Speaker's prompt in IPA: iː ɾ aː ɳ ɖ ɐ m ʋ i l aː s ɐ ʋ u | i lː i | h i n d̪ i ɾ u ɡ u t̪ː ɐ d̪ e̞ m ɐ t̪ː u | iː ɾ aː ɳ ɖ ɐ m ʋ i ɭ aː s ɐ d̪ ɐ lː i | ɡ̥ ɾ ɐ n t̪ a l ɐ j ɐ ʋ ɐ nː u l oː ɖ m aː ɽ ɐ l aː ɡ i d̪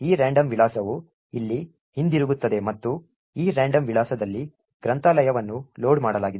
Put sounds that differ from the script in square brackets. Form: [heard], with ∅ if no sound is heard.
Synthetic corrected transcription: iː ɾ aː ɳ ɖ ɐ m ʋ i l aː s ɐ ʋ u | i lː i | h i n d̪ i ɾ u ɡ u t̪ː ɐ d̪ e̞ m ɐ t̪ː u | iː ɾ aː ɳ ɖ ɐ m ʋ i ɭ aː s ɐ d̪ ɐ lː i | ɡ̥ ɾ ɐ n t̪ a l ɐ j ɐ ʋ ɐ nː u l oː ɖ m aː ɽ ɐ l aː ɡ i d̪

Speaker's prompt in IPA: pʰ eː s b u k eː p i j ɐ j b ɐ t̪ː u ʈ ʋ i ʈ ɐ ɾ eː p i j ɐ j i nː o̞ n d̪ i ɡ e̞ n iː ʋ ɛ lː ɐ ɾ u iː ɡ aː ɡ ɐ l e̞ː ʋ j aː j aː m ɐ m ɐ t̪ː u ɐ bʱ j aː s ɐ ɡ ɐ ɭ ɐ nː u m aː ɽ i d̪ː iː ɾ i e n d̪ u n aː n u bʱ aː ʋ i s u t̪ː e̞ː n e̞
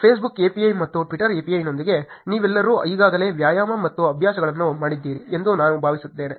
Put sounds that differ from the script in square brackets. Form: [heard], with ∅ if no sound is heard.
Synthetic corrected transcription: pʰ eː s b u k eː p i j ɐ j [m] ɐ t̪ː u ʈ ʋ i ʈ ɐ ɾ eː p i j ɐ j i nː o̞ n d̪ i ɡ e̞ n iː ʋ ɛ lː ɐ ɾ u iː ɡ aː ɡ ɐ l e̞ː ʋ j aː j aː m ɐ m ɐ t̪ː u ɐ bʱ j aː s ɐ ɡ ɐ ɭ ɐ nː u m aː ɽ i d̪ː iː ɾ i e n d̪ u n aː n u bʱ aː ʋ i s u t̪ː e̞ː n e̞

